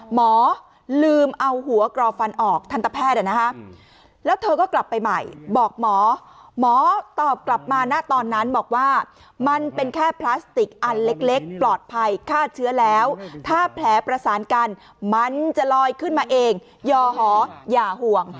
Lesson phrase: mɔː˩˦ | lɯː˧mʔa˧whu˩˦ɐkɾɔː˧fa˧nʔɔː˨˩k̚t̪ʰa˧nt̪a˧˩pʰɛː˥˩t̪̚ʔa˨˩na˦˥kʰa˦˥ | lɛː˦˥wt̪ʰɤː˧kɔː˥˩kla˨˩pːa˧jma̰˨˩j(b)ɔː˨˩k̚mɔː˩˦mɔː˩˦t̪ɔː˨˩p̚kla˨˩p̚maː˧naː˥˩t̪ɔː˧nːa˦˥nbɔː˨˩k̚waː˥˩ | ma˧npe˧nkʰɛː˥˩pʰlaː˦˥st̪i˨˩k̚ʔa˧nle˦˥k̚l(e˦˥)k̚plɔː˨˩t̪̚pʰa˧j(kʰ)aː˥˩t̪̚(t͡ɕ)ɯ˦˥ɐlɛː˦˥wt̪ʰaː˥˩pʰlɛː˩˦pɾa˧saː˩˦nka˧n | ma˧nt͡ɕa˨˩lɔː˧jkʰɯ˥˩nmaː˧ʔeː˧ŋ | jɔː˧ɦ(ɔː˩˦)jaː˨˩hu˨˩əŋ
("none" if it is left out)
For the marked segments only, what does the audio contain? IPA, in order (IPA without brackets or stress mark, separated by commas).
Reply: b, e˦˥, kʰ, t͡ɕʰ, ɔː˩˦